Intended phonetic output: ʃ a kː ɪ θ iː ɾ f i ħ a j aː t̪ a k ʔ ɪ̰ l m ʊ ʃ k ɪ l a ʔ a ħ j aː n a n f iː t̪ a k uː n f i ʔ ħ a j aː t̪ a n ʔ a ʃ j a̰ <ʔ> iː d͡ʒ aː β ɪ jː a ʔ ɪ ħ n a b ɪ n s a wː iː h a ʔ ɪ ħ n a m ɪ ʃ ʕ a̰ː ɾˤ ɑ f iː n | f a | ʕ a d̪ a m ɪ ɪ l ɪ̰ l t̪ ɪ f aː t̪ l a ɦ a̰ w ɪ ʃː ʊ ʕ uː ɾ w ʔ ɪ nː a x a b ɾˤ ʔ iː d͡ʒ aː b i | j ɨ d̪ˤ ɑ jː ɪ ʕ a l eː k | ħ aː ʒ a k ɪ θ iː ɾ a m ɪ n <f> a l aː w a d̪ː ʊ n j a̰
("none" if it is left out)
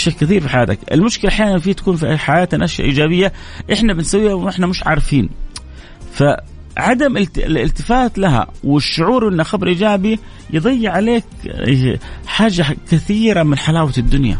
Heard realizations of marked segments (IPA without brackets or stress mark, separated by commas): ʔ, ħ